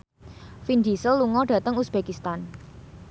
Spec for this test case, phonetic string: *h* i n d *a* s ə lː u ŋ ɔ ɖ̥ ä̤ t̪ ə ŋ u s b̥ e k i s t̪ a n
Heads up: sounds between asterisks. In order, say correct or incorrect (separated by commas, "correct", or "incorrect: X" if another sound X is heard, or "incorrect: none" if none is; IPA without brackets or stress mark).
incorrect: f, incorrect: i